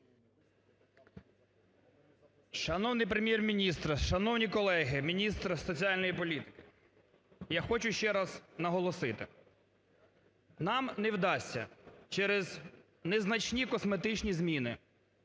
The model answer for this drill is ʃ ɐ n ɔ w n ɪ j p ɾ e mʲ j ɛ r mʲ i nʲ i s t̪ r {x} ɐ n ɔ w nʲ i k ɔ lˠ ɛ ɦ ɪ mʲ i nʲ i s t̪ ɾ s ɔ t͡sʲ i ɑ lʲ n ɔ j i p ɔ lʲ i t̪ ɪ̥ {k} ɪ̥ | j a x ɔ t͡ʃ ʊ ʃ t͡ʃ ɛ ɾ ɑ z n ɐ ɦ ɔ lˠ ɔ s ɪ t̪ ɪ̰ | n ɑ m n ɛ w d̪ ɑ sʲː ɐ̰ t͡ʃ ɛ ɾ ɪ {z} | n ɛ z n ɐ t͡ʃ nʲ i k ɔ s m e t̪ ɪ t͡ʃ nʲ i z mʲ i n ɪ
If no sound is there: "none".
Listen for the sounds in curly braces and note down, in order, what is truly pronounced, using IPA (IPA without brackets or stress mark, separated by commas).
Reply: ʃ, k, z